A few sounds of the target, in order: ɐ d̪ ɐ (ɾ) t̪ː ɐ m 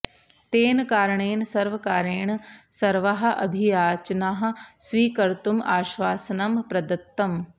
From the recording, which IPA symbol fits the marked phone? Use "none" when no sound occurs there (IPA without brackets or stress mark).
none